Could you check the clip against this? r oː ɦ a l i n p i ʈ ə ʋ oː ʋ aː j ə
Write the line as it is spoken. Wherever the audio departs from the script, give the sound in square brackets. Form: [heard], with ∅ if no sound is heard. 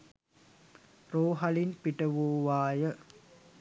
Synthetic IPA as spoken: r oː ɦ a l i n p i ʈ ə ʋ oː ʋ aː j ə

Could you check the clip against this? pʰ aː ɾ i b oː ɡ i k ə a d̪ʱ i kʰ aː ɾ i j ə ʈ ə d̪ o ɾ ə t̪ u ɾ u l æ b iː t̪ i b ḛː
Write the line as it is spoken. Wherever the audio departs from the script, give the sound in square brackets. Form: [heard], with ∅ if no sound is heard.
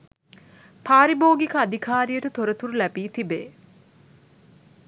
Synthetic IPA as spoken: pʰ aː ɾ i b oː ɡ i k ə a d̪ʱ i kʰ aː ɾ i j ə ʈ ə [t̪] o ɾ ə t̪ u ɾ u l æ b iː t̪ i b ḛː

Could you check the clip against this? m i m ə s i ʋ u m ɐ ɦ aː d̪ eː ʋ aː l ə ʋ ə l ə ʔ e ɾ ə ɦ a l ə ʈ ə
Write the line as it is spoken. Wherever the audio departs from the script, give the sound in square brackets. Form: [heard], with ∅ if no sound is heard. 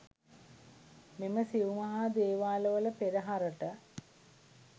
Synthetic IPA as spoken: m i m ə s i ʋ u m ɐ ɦ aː d̪ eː ʋ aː l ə ʋ ə l ə [p] e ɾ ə ɦ a [ɾ] ə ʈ ə

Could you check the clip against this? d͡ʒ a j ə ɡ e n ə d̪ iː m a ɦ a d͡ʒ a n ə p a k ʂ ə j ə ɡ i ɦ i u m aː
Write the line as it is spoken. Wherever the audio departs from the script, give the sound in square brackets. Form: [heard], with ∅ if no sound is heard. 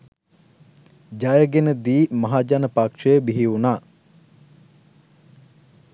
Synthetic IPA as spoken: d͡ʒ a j ə ɡ e n ə d̪ iː m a ɦ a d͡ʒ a n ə p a k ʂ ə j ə [b] i ɦ i u [n] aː

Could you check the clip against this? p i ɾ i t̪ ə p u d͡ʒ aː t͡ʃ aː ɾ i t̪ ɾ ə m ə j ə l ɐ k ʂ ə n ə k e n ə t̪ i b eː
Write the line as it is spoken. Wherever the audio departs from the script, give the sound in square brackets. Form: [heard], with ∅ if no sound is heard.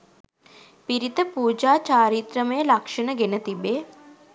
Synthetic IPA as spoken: p i ɾ i t̪ ə p [uː] d͡ʒ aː t͡ʃ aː ɾ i t̪ ɾ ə m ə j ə l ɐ k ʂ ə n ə [ɡ] e n ə t̪ i b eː

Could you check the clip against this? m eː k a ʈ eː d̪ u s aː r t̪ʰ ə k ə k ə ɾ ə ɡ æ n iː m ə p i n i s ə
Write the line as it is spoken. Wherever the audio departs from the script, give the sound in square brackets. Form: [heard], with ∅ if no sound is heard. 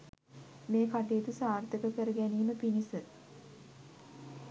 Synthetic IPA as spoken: m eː k a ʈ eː [t̪] u s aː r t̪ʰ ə k ə k ə ɾ ə ɡ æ n iː m ə p i n i s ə

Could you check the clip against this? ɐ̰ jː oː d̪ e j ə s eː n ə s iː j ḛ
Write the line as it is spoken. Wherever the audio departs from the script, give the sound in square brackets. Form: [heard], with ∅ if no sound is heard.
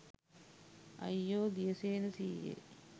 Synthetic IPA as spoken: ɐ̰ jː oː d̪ [i] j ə s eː n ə s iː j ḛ

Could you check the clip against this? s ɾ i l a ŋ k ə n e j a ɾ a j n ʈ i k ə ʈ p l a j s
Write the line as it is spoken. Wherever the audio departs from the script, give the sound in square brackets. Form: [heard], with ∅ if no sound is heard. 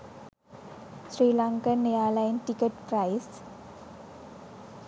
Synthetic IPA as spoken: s ɾ i l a ŋ k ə n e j a [l] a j n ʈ i k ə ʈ p [ɾ] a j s

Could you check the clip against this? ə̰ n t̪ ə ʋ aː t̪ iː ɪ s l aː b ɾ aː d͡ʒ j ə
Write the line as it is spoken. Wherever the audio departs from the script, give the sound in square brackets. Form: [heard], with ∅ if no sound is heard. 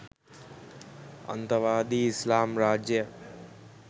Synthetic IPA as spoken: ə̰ n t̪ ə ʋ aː [d̪] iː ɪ s l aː [m] ɾ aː d͡ʒ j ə

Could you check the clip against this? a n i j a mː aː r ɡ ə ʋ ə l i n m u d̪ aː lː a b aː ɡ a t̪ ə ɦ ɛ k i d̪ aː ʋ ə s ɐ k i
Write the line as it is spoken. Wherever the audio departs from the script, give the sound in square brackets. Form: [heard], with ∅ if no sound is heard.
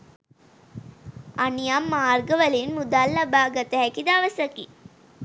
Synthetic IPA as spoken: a n i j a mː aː r ɡ ə ʋ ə l i n m u d̪ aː lː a b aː ɡ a t̪ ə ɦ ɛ k i d̪ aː ʋ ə s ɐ k i

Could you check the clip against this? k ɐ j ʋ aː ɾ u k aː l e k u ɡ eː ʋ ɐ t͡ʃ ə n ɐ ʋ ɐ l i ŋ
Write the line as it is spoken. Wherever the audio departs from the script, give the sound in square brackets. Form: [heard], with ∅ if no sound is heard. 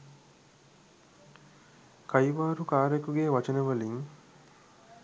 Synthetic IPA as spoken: k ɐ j ʋ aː ɾ u k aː [ɾ] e k u ɡ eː ʋ ɐ t͡ʃ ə n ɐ ʋ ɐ l i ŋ

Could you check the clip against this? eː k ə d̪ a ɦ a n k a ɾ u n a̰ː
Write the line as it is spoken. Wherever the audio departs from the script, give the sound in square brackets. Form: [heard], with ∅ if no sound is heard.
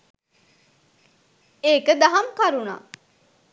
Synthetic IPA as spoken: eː k ə d̪ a ɦ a [m] k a ɾ u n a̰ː

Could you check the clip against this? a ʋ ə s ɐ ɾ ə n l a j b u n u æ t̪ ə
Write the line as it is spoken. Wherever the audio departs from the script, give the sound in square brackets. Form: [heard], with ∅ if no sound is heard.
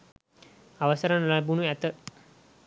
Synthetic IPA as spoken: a ʋ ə s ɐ ɾ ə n l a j b u n u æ t̪ ə

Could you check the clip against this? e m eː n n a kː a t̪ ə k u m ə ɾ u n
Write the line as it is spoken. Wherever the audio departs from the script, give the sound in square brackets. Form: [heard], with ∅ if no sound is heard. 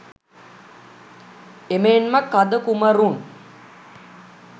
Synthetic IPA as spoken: e m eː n [m] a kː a [d̪] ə k u m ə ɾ u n

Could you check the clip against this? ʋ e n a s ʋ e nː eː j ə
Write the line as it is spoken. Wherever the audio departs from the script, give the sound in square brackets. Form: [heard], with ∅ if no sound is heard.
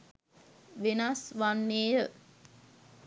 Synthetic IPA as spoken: ʋ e n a s ʋ [a] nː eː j ə

